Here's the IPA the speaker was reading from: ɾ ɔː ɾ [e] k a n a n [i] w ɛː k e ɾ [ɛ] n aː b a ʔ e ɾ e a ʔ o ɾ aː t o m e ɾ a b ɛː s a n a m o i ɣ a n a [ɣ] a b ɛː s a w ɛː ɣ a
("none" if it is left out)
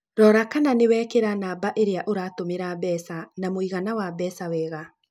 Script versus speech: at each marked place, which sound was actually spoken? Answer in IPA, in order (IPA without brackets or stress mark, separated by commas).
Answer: a, e, a, w